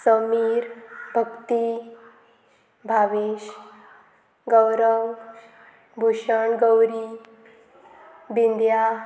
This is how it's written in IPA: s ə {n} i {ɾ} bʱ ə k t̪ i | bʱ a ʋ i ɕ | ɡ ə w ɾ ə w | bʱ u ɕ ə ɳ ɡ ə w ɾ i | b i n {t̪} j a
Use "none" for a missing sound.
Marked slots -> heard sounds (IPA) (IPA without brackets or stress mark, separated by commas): m, ɾ, d̪